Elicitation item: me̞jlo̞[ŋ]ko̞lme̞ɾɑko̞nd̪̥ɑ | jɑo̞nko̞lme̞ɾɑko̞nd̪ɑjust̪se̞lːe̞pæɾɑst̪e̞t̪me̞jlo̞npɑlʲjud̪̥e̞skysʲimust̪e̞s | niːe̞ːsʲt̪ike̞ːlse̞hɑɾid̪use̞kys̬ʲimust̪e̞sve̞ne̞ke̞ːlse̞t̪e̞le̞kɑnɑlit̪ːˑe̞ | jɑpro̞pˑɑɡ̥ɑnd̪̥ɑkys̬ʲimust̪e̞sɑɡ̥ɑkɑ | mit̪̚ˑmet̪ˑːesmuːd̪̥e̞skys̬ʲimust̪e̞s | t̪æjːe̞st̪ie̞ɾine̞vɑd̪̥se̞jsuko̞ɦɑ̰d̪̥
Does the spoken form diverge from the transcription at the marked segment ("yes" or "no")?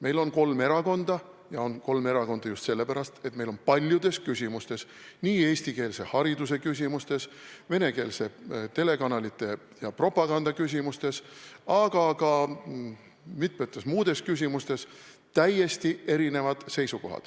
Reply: yes